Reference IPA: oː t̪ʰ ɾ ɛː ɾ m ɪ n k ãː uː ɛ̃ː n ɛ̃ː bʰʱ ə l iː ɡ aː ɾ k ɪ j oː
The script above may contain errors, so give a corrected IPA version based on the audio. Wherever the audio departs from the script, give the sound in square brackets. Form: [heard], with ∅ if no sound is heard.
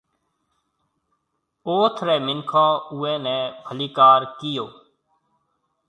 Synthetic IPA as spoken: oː t̪ʰ ɾ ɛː [∅] m ɪ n [kʰ] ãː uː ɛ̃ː n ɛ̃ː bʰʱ ə l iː [k] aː ɾ k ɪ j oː